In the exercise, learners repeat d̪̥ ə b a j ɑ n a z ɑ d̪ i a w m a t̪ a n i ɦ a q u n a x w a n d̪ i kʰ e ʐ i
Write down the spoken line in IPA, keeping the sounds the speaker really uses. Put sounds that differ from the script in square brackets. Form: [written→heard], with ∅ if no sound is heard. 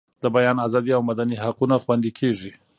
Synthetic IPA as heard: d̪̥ ə b a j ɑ n a z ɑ d̪ i a w m a [t̪→d̪] a n i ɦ a q u n a x w a n d̪ i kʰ e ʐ i